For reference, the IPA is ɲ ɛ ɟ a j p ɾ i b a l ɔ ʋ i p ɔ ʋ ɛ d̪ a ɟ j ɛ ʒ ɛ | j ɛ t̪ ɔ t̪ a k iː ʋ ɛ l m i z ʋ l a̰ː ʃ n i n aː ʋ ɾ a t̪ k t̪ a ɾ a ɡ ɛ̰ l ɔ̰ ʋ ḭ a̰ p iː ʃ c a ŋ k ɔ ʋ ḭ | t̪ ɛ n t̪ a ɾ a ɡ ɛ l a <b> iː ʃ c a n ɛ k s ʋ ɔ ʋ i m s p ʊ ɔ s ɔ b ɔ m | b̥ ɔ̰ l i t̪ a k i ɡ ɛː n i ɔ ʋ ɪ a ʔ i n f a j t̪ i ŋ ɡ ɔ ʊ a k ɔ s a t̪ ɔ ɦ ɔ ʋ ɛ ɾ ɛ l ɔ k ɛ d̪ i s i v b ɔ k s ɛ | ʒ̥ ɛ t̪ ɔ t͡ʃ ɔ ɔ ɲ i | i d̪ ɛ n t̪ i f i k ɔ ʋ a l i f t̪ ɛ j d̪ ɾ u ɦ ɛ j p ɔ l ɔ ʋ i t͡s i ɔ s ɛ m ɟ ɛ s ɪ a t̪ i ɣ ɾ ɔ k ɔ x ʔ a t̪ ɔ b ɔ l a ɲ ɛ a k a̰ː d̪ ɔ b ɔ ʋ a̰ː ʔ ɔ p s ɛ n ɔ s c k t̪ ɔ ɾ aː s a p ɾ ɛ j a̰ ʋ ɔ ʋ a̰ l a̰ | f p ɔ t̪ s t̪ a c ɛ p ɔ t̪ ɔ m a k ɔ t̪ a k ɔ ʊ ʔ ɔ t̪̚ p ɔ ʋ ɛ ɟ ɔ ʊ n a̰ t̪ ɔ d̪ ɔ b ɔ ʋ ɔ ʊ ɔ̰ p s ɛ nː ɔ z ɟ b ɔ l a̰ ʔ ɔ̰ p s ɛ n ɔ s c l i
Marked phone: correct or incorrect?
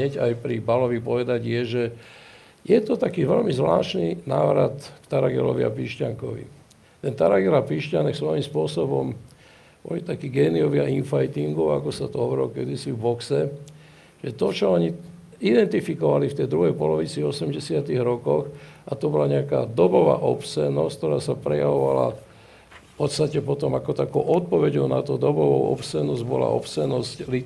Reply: incorrect